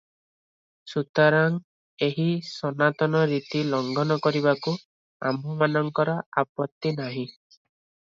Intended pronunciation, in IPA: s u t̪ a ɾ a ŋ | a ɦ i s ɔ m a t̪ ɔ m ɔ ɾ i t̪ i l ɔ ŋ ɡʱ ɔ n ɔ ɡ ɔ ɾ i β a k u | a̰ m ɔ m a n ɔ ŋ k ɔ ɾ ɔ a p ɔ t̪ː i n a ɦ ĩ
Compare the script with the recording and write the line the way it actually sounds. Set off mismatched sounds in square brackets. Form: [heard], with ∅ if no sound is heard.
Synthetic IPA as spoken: s u t̪ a ɾ a ŋ | [e] ɦ i s ɔ [n] a t̪ ɔ [n] ɔ ɾ i t̪ i l ɔ ŋ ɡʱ ɔ n ɔ [k] ɔ ɾ i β a k u | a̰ m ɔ m a n ɔ ŋ k ɔ ɾ ɔ a p ɔ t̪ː i n a ɦ ĩ